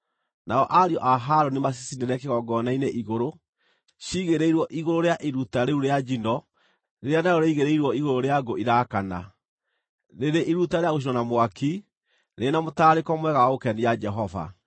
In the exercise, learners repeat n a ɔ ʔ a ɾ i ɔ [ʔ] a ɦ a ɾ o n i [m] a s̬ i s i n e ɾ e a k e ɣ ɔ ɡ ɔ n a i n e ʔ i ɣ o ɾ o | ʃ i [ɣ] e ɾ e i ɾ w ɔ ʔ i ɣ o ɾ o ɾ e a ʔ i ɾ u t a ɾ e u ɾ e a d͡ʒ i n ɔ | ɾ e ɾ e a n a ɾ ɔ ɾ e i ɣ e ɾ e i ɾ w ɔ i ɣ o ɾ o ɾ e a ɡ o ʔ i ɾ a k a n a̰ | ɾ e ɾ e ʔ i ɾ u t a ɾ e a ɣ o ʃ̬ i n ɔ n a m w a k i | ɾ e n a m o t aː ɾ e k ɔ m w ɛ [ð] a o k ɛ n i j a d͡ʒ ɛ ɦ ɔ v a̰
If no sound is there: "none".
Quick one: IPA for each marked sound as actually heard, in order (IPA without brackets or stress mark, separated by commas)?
ʔ, m, ɣ, ɣ